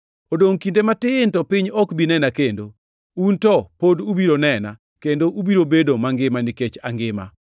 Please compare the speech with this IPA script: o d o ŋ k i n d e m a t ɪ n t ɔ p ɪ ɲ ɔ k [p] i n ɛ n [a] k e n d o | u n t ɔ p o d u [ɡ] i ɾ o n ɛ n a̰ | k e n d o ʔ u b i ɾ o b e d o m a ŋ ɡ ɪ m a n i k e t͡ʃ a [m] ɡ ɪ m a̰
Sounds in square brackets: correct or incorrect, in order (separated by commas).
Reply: incorrect, correct, incorrect, incorrect